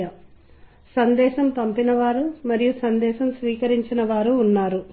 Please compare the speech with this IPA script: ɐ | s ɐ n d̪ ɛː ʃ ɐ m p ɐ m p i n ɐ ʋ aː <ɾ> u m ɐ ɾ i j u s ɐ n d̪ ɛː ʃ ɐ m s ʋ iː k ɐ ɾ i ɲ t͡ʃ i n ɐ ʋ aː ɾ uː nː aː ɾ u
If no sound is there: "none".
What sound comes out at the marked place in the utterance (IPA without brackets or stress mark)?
ɾ